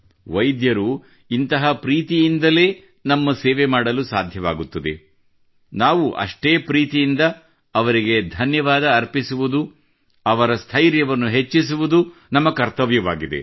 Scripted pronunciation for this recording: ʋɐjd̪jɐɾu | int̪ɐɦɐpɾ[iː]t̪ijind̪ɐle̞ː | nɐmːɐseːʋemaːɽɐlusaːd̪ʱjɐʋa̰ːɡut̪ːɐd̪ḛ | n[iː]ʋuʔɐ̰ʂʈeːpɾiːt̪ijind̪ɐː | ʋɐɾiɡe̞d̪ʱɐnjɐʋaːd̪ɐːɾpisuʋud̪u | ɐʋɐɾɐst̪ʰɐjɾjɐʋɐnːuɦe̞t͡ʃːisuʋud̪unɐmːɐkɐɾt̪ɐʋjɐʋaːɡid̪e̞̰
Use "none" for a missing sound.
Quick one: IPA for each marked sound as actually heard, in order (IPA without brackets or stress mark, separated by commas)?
iː, aː